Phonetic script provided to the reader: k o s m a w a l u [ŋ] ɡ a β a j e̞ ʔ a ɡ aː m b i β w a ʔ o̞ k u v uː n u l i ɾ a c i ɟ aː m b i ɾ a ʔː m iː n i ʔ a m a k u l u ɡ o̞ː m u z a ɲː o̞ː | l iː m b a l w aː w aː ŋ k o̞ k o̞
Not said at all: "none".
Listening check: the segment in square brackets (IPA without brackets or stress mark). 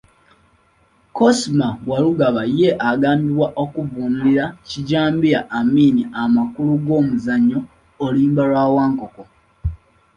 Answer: none